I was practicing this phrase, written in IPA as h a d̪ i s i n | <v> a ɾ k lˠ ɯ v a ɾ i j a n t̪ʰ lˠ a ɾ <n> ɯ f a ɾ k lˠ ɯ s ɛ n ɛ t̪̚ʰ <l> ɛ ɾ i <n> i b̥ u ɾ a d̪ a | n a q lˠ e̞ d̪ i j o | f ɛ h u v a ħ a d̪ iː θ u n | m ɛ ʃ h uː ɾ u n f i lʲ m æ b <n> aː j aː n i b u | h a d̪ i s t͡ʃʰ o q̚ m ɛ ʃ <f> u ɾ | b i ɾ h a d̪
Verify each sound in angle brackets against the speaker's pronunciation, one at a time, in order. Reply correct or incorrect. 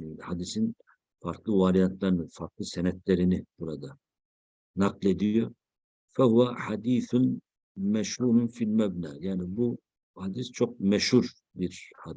incorrect, correct, correct, correct, correct, incorrect

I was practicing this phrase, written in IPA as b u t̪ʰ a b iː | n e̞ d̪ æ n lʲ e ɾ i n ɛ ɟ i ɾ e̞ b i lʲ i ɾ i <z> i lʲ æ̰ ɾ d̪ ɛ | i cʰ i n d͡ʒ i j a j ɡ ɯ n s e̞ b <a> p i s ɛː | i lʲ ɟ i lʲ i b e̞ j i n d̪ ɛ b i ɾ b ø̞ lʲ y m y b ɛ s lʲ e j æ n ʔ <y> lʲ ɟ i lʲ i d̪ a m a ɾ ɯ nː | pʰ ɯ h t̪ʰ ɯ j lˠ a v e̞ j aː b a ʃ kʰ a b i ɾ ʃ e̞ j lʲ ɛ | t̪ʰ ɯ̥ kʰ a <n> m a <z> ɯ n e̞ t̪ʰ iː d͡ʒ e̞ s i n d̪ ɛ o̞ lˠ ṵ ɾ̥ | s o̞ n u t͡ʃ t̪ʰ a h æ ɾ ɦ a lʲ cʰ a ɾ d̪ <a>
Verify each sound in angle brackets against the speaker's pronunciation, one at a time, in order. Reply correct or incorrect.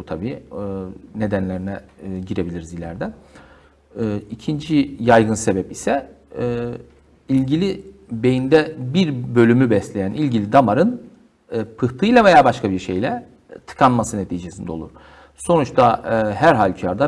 correct, incorrect, incorrect, correct, incorrect, correct

